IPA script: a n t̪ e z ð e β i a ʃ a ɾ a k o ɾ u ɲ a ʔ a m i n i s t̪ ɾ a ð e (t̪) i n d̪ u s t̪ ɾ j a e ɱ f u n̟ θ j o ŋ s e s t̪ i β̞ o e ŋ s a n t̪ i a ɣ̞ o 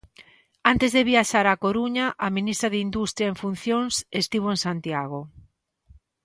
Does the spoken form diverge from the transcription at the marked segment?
yes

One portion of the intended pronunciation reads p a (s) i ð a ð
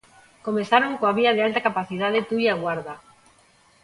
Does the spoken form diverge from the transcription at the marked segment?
yes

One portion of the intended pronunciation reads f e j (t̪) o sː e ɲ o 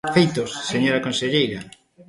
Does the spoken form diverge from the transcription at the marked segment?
no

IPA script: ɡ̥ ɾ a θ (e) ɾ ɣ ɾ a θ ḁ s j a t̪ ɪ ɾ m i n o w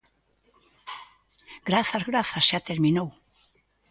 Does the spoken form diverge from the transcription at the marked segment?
yes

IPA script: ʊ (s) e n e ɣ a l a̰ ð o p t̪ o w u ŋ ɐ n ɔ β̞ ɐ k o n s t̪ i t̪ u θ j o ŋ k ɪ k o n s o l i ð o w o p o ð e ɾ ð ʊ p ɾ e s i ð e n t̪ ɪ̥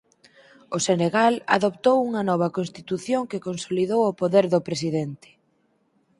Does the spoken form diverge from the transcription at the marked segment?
no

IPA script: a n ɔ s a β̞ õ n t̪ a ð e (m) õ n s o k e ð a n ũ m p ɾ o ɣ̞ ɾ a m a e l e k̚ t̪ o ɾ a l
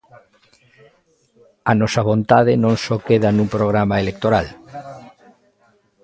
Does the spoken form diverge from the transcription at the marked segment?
yes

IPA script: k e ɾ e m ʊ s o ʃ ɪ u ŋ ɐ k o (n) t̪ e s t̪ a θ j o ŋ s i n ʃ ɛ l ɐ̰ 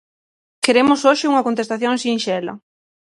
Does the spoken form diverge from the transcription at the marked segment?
no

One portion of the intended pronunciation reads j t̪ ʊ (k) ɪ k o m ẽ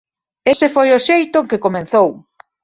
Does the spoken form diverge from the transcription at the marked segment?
no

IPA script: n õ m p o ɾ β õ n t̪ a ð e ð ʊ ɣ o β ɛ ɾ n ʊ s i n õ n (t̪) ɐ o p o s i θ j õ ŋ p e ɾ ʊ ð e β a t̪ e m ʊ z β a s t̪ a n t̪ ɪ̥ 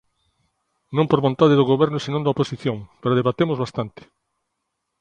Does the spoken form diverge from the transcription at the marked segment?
yes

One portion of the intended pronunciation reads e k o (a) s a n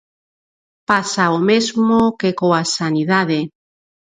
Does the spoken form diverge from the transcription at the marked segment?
no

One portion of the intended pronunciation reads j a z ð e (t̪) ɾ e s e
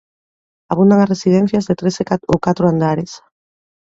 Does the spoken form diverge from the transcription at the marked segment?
no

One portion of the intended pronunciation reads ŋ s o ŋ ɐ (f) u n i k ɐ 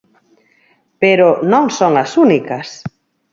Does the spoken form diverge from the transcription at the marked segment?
yes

